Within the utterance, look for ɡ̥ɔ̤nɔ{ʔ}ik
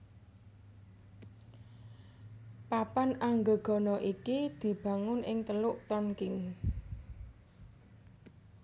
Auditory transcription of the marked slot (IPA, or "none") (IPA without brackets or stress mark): ʔ